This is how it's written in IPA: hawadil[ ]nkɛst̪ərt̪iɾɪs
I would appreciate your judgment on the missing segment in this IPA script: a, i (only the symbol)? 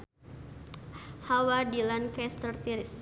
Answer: a